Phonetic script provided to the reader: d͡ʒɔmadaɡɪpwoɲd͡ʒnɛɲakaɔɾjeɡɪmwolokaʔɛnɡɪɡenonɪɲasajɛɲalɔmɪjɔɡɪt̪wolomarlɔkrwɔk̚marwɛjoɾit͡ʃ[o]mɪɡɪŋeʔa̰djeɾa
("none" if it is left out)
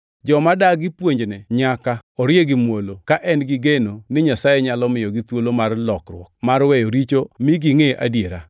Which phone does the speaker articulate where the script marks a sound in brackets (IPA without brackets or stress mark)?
o